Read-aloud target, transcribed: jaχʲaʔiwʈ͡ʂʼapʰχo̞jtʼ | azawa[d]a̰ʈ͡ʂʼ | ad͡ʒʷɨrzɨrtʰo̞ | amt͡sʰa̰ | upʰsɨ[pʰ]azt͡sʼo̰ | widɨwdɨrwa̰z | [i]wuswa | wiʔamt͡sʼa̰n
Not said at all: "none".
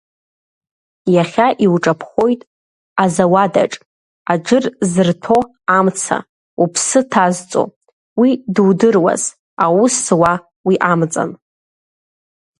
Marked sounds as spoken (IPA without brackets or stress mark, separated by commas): d, tʰ, a